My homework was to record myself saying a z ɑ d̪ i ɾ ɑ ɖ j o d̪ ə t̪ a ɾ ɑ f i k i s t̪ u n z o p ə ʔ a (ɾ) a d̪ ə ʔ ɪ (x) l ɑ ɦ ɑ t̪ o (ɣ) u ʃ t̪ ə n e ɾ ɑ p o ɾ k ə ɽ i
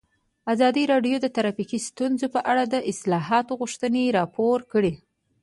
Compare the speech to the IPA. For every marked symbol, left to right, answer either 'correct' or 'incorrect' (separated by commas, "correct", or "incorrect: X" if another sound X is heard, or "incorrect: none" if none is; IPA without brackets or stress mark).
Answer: incorrect: ɽ, incorrect: s, correct